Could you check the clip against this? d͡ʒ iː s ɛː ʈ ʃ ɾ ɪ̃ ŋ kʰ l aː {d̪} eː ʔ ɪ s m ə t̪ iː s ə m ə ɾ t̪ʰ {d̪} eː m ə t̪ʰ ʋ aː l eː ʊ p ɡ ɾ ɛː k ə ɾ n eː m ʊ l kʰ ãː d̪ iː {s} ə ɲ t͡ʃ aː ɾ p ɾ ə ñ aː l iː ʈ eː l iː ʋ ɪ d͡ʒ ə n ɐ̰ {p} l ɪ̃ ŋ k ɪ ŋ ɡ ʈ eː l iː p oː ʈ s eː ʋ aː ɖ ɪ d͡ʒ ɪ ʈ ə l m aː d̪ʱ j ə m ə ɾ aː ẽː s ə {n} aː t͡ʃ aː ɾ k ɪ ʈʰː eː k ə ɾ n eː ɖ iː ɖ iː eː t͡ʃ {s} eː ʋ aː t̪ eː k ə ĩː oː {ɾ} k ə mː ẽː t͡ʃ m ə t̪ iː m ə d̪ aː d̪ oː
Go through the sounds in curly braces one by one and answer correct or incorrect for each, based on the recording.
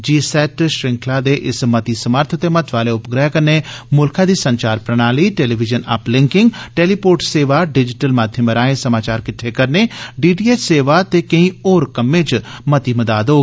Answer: correct, incorrect, correct, correct, incorrect, correct, correct

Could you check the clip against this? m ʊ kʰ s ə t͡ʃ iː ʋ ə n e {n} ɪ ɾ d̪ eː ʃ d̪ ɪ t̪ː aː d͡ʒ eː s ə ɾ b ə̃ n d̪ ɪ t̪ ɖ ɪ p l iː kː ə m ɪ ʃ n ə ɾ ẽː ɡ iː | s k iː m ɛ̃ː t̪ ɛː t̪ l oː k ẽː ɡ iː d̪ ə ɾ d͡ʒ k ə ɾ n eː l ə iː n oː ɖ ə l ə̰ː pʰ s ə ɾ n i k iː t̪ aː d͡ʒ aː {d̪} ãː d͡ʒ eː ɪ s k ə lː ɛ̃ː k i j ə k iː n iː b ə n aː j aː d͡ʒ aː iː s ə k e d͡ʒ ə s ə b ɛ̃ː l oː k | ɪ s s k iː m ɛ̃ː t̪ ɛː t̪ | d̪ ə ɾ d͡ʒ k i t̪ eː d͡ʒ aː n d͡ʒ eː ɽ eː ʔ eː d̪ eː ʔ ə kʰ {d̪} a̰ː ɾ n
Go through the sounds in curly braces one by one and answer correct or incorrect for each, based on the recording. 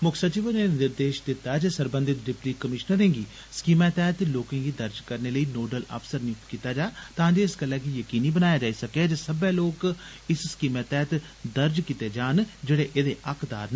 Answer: correct, incorrect, correct

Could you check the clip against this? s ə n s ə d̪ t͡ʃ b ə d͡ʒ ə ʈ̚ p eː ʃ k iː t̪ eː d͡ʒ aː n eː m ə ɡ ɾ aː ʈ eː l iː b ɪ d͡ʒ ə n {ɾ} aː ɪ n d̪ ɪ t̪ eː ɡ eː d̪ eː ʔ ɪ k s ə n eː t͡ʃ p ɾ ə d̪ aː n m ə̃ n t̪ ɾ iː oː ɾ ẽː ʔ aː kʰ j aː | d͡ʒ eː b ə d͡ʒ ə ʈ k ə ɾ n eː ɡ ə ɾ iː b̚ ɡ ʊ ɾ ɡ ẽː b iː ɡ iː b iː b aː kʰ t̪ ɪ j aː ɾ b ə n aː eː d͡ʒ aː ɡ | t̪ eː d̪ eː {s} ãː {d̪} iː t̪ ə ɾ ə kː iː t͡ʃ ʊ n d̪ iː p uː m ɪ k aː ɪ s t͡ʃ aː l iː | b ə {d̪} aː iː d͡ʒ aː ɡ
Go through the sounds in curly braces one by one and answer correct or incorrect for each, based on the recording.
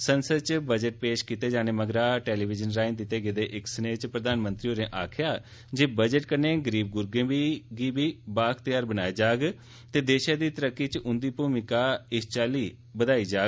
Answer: correct, incorrect, correct, correct

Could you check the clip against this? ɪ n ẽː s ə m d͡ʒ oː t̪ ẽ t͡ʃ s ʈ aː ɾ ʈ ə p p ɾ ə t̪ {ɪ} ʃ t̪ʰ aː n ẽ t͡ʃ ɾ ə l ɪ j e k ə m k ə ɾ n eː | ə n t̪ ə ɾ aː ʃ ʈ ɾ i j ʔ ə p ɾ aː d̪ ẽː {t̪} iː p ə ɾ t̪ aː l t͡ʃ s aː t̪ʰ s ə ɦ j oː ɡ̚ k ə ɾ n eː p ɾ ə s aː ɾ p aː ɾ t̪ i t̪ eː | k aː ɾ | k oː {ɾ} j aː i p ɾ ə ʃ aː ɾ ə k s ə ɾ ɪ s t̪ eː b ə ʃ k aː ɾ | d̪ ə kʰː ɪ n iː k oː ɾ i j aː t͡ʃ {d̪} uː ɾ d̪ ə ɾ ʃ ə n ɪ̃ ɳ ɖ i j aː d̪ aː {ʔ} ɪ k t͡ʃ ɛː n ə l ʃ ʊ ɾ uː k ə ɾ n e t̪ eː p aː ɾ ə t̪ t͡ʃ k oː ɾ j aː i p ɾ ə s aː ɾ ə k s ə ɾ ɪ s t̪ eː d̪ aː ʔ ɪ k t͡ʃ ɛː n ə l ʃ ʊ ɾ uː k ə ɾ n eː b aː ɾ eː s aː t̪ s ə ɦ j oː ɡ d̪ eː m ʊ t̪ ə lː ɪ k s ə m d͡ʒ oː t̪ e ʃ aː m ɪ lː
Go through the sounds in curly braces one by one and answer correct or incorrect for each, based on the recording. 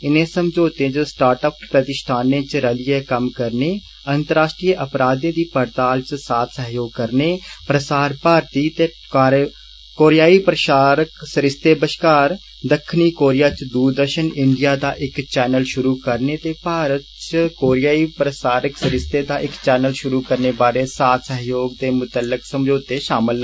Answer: correct, incorrect, correct, correct, correct

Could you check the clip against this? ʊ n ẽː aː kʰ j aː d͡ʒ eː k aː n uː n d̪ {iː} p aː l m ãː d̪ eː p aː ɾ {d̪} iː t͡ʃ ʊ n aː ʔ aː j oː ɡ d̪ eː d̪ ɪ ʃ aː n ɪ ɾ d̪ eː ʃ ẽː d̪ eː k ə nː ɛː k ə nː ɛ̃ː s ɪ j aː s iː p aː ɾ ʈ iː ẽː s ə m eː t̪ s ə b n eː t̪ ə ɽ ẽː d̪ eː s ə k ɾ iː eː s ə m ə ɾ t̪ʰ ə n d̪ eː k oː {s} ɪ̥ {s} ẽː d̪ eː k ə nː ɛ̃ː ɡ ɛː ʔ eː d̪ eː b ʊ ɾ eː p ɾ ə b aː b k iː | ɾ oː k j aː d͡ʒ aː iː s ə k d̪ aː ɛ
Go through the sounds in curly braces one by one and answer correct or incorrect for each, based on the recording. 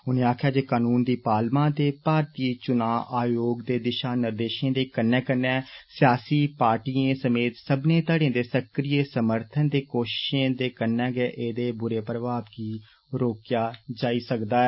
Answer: correct, incorrect, incorrect, incorrect

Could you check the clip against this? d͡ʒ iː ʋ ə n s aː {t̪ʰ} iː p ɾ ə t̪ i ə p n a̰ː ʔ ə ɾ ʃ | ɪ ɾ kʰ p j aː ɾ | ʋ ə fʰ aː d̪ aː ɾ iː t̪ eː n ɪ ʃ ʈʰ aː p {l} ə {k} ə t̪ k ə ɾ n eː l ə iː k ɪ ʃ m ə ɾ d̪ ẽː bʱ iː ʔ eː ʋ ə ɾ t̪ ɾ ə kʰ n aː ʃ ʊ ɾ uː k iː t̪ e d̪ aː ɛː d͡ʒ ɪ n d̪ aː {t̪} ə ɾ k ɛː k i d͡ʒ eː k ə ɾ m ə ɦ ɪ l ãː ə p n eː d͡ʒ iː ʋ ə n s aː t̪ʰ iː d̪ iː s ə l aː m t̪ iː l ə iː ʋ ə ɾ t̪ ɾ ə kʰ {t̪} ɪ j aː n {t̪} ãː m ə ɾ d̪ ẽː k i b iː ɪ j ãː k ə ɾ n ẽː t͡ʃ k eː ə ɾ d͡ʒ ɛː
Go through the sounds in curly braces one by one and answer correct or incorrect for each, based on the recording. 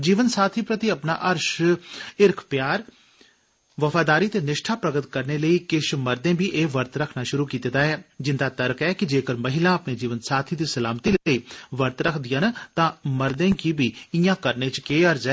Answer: correct, incorrect, incorrect, correct, incorrect, correct

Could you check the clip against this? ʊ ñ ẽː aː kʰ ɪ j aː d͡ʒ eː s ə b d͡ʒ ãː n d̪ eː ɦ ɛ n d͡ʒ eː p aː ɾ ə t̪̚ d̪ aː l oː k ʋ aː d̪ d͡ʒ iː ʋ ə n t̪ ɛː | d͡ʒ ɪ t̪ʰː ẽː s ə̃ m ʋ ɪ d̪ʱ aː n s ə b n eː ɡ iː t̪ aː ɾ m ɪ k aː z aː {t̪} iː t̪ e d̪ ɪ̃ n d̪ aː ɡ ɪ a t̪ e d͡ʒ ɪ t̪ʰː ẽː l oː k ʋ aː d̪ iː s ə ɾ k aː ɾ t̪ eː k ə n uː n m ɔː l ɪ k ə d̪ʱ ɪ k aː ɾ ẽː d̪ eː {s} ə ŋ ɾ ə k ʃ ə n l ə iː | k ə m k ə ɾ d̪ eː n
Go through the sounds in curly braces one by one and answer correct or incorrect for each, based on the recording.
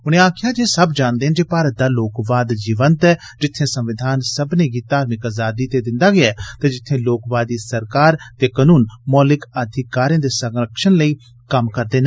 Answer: incorrect, correct

